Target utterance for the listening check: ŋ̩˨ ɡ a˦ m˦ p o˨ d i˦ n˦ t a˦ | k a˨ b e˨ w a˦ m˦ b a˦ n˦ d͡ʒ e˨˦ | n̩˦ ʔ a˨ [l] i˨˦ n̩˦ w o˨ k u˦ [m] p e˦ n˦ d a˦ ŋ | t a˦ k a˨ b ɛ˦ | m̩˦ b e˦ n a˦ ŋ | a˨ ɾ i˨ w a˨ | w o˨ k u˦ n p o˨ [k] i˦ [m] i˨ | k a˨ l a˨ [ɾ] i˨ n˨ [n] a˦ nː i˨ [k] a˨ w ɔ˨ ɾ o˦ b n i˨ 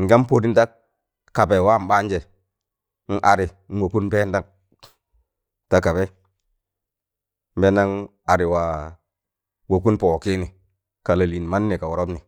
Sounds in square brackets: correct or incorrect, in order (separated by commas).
incorrect, incorrect, correct, incorrect, incorrect, incorrect, correct